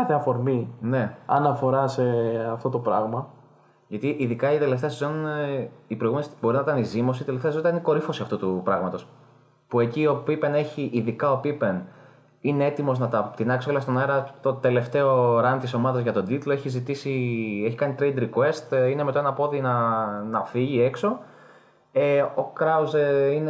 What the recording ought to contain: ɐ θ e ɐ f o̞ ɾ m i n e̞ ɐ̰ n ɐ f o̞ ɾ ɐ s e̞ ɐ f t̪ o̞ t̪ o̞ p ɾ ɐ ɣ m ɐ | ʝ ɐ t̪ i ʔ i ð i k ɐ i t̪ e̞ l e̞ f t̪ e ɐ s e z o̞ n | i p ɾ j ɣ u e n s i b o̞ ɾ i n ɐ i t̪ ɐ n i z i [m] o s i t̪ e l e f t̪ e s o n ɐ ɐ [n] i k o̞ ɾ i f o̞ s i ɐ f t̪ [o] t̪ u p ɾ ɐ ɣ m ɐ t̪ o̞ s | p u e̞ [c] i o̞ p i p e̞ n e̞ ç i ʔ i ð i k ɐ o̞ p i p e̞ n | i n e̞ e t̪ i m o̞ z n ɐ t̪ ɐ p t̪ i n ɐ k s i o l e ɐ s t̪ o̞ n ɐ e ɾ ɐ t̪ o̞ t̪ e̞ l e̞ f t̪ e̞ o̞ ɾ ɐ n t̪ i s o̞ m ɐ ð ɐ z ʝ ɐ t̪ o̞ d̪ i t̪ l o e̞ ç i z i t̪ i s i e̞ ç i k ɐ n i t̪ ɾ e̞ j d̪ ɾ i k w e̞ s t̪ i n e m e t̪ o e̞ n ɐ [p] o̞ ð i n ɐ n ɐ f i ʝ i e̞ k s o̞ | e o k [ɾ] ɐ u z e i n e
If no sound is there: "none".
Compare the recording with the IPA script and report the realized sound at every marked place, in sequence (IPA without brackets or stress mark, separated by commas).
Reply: m, n, u, c, p, ɾ